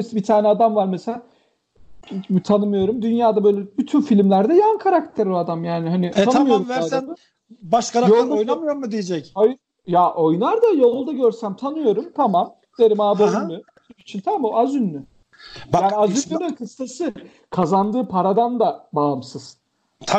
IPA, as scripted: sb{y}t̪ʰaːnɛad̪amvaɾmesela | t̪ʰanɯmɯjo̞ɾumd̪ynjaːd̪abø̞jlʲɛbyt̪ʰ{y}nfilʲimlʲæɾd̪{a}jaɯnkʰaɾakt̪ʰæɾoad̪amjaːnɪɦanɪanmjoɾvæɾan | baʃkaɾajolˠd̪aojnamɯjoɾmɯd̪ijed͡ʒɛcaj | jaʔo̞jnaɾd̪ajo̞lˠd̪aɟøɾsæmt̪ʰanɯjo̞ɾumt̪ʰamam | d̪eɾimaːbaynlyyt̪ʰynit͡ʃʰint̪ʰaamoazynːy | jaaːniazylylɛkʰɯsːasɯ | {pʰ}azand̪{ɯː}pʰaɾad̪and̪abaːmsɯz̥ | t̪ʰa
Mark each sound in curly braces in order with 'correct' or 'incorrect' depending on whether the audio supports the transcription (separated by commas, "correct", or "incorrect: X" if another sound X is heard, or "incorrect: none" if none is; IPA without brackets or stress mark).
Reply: incorrect: i, correct, incorrect: ɛ, incorrect: kʰ, correct